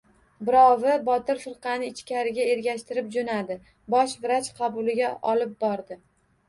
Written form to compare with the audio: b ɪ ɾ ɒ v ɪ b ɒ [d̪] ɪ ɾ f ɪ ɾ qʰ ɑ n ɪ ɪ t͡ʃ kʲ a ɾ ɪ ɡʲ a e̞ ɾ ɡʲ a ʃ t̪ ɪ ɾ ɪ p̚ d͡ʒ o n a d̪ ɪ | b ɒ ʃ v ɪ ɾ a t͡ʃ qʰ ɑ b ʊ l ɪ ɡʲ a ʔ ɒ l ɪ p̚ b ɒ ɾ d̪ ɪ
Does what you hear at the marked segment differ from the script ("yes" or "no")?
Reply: yes